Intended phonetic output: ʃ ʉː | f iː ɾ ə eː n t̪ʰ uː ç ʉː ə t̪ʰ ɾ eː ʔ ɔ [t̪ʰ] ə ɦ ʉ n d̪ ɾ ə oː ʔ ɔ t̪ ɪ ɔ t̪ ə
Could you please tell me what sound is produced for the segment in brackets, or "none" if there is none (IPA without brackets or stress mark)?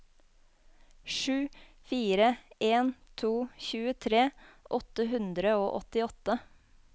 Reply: t̪